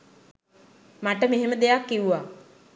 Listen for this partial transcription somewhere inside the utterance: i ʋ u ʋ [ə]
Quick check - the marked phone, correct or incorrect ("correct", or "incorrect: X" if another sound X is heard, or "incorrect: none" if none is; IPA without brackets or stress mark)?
incorrect: a